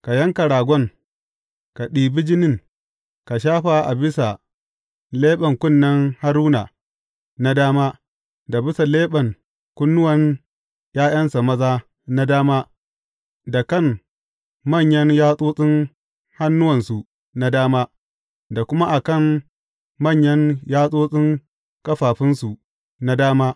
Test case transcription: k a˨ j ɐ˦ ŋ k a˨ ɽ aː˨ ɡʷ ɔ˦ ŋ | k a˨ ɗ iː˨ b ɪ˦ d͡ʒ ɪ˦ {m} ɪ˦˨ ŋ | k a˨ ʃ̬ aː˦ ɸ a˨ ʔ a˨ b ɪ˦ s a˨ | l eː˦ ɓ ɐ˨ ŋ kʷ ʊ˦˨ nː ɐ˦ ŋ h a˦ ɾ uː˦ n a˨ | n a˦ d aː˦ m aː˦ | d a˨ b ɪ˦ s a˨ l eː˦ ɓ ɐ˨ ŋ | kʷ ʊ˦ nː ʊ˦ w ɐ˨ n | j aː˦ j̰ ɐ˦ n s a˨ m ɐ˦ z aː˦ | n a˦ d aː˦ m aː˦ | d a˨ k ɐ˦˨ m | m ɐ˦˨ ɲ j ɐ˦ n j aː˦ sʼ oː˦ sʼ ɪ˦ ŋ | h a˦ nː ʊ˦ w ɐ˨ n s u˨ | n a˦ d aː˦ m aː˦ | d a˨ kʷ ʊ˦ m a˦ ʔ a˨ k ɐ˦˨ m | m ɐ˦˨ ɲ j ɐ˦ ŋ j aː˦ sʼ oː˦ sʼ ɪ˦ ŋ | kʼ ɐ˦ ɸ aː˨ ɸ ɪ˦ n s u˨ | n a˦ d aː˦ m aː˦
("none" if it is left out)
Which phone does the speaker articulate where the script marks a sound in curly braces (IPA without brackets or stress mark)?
n